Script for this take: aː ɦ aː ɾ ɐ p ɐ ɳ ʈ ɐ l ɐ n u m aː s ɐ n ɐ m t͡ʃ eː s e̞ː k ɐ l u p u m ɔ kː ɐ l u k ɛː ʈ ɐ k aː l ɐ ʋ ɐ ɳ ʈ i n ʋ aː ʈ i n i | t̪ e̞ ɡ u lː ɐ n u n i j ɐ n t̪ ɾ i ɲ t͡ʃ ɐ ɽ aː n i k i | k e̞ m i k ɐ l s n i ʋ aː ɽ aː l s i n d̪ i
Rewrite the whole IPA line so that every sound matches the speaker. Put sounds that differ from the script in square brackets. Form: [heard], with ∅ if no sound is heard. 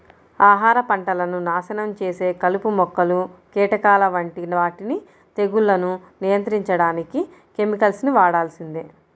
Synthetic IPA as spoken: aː ɦ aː ɾ ɐ p ɐ ɳ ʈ ɐ l ɐ n u [n] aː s ɐ n ɐ m t͡ʃ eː s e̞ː k ɐ l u p u m ɔ kː ɐ l u k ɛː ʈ ɐ k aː l ɐ ʋ ɐ ɳ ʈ i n ʋ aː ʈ i n i | t̪ e̞ ɡ u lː ɐ n u n i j ɐ n t̪ ɾ i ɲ t͡ʃ ɐ ɽ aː n i k i | k e̞ m i k ɐ l s n i ʋ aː ɽ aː l s i n d̪ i

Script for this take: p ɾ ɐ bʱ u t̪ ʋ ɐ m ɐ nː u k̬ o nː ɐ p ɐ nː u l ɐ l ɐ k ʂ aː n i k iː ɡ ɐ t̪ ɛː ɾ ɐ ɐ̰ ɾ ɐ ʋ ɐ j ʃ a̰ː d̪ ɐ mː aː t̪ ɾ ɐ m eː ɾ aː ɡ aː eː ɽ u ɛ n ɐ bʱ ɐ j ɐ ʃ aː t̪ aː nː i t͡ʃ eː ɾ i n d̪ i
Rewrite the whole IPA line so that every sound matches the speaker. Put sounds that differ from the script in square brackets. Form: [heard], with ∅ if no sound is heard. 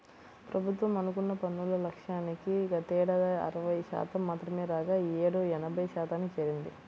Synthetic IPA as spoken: p ɾ ɐ bʱ u t̪ ʋ ɐ m ɐ [n] u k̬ [u] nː ɐ p ɐ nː u l ɐ l ɐ k ʂ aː n i k [i] ɡ ɐ t̪ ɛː [ɽ] ɐ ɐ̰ ɾ ɐ ʋ ɐ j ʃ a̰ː [t̪] ɐ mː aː t̪ ɾ ɐ m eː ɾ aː ɡ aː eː ɽ u ɛ n ɐ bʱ ɐ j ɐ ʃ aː t̪ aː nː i t͡ʃ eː ɾ i n d̪ i

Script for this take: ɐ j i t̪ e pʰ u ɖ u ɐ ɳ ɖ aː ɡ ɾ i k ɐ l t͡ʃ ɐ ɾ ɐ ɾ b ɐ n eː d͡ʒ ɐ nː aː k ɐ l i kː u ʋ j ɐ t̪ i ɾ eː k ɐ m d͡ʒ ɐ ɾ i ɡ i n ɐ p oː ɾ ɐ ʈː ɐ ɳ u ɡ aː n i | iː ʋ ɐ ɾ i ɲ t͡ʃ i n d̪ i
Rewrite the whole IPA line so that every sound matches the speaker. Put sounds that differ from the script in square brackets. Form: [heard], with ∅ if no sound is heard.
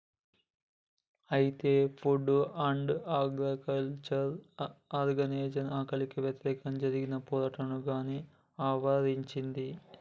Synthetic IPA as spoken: ɐ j i t̪ e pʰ u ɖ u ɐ ɳ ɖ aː ɡ ɾ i k ɐ l t͡ʃ ɐ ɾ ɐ ɾ [ɡ] ɐ n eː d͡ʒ ɐ [n] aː k ɐ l i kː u ʋ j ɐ t̪ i ɾ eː k ɐ m d͡ʒ ɐ ɾ i ɡ i n ɐ p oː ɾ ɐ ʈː ɐ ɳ u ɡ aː n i | [aː] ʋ ɐ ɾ i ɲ t͡ʃ i n d̪ i

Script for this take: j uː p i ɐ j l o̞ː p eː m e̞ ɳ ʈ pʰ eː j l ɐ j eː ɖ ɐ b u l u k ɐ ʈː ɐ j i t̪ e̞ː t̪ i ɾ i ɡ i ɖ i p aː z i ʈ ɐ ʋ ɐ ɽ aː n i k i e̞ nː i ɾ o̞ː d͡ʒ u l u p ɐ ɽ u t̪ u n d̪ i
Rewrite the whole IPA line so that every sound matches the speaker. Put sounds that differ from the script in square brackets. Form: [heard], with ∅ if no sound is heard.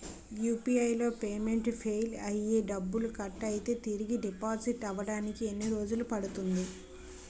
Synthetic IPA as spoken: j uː p i ɐ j l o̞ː p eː m e̞ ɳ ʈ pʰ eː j l ɐ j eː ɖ ɐ [bː] u l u k ɐ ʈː ɐ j i t̪ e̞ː t̪ i ɾ i ɡ i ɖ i p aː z i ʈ ɐ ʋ ɐ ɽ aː n i k i e̞ nː i ɾ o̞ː d͡ʒ u l u p ɐ ɽ u t̪ u n d̪ i

